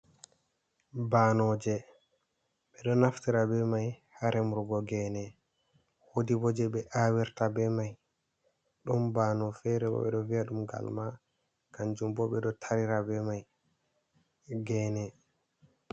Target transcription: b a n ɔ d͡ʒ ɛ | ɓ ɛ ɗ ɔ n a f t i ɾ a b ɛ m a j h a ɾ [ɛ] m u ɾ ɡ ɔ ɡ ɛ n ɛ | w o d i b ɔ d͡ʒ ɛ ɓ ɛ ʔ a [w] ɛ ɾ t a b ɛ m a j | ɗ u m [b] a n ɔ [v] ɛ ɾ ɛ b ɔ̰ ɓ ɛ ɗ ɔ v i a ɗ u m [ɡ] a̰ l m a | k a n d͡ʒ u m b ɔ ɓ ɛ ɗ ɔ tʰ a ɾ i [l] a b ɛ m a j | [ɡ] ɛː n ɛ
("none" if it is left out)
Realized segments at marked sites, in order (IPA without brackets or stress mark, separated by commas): ɛ, w, b, f, ɡ, ɾ, ɡ